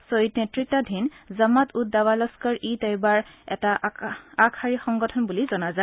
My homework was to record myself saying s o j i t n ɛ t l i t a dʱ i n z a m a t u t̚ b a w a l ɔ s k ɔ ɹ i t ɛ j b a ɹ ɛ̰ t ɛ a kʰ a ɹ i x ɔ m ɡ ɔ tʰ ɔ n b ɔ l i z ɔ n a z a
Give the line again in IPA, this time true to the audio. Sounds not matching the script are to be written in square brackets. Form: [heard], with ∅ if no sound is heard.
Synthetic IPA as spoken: s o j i t n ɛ t [ɹ] i t a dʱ i n z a m a t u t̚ [d] a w a l ɔ s k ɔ ɹ i t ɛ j b a ɹ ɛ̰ t [a] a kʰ a ɹ i x ɔ [ŋ] ɡ ɔ tʰ ɔ n b [u] l i z ɔ n a z a